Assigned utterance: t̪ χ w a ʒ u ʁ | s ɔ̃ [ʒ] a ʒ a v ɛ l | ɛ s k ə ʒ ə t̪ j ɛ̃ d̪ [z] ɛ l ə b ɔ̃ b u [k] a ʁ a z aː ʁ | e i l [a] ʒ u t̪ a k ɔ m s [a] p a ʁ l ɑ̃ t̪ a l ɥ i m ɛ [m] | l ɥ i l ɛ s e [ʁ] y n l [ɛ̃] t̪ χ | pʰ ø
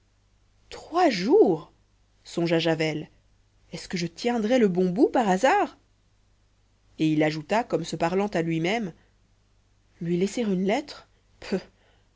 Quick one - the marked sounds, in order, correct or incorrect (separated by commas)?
correct, incorrect, incorrect, correct, incorrect, correct, correct, incorrect